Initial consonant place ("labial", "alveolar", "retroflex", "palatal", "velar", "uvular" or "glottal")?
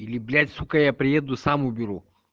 alveolar